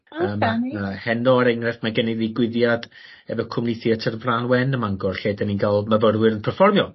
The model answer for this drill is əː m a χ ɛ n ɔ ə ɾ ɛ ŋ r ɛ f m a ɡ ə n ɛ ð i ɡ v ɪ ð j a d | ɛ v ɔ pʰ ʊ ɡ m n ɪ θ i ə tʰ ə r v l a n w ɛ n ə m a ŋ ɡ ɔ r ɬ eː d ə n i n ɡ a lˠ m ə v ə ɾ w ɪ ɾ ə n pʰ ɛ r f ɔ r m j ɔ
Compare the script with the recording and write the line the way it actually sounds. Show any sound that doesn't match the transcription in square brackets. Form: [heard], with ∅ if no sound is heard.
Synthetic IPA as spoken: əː m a [h] ɛ n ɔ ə ɾ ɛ ŋ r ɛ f m a ɡ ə n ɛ ð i ɡ [w] ɪ ð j a d | ɛ v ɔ [kʰ] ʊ [∅] m n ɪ θ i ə tʰ ə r v [r] a n w ɛ n ə m a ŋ ɡ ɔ r ɬ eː d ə n i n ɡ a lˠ m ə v ə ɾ w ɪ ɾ ə n pʰ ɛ r f ɔ r m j ɔ